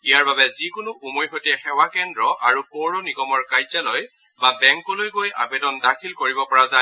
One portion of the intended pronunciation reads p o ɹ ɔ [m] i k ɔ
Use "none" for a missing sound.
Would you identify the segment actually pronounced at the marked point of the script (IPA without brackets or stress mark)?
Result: n